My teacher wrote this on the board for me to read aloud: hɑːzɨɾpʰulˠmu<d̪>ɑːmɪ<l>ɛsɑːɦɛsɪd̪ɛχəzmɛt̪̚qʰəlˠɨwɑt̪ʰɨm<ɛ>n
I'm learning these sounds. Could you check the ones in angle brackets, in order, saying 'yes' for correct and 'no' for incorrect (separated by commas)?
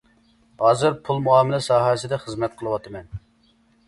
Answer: no, yes, yes